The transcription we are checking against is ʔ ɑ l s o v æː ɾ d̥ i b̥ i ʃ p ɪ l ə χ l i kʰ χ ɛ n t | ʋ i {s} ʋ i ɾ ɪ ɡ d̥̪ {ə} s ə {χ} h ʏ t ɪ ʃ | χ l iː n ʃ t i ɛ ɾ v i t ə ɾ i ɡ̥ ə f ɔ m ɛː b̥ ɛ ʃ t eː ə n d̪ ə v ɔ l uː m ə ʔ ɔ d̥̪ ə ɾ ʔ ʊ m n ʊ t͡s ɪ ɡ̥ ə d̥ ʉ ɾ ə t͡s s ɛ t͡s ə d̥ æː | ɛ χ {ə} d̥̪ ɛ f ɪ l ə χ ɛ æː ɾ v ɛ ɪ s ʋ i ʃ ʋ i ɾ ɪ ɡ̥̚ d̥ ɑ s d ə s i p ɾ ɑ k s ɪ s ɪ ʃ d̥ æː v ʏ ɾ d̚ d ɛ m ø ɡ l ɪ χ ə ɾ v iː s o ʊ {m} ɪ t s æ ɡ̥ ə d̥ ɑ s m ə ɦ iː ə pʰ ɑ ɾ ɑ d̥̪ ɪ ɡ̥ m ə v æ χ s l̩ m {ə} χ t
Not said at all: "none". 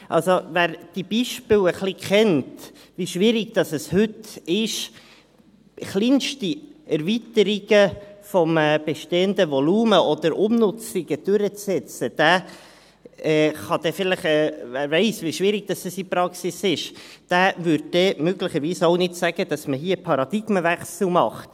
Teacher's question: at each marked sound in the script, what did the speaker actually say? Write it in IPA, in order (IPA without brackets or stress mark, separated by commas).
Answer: ʃ, ɑ, s, ɑ, n, ɑ